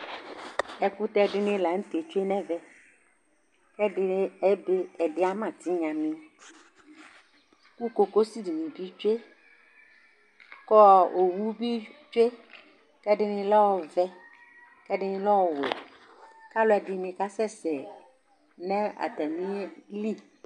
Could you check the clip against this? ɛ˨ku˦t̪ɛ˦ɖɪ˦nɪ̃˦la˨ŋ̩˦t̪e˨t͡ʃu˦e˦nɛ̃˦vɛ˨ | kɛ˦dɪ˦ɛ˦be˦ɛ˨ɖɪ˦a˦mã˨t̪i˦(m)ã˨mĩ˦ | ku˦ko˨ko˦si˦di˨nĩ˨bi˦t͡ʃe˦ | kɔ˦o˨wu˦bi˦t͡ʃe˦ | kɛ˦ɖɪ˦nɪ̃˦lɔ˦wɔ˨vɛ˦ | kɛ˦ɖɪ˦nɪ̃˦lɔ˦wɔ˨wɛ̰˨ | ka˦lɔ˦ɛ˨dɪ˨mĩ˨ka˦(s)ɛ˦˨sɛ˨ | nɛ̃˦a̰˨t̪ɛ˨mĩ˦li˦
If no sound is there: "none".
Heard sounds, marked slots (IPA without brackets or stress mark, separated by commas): ɲ, s